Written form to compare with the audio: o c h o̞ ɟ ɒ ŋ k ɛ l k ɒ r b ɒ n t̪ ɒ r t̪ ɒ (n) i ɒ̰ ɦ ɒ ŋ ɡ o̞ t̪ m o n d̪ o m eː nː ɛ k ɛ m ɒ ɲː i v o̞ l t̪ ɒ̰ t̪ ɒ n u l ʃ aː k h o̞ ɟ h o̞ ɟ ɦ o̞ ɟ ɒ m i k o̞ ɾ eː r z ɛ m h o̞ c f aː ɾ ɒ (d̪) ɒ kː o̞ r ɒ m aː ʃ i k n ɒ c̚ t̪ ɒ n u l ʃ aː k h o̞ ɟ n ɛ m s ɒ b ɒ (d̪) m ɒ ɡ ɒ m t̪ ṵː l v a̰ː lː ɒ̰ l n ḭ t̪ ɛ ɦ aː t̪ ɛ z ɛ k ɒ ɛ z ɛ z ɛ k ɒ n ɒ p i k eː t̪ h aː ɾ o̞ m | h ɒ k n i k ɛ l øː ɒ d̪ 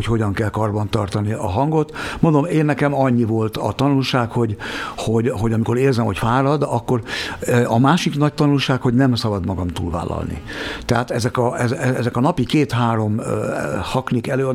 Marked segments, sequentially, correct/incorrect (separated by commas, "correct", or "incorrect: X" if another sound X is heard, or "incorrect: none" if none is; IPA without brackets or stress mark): correct, correct, correct